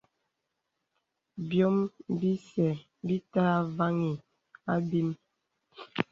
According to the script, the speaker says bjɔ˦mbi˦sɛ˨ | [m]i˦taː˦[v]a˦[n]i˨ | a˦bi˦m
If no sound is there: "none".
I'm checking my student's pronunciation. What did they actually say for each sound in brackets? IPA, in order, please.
b, v, ŋ

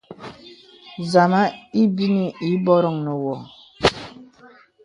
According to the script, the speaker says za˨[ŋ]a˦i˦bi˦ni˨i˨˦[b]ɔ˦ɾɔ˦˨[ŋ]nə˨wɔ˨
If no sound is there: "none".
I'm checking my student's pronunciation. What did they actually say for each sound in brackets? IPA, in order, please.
m, b, ŋ

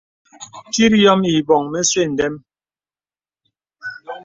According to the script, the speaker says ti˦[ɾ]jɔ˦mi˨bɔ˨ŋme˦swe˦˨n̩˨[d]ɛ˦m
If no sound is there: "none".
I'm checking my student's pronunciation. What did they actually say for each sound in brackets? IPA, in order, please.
ɾ, d

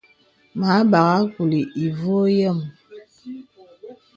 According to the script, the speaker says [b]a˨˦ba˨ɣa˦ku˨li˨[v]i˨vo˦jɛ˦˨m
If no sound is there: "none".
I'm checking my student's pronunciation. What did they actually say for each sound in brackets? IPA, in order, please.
m, none

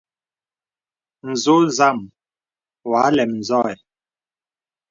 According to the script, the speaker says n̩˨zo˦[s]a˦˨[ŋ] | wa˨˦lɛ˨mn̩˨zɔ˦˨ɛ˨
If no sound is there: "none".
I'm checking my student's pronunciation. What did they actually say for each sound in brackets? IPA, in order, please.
z, m

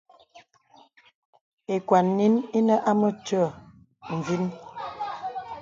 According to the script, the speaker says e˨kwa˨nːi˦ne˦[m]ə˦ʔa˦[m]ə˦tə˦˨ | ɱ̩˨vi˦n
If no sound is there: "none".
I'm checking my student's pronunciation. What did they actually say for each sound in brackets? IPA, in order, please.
n, m

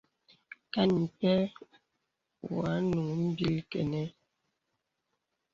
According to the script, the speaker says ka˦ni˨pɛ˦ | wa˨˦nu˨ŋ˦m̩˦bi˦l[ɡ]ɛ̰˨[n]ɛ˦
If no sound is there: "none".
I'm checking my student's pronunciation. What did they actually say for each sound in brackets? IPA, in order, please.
k, n

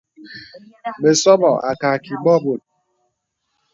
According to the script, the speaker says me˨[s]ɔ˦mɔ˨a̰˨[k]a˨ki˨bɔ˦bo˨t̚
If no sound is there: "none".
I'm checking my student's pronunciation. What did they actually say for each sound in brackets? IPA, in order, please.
s, k

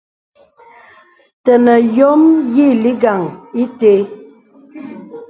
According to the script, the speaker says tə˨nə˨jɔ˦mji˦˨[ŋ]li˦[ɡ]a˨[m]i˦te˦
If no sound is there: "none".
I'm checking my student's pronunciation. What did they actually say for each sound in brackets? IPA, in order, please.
none, ɡ, ŋ

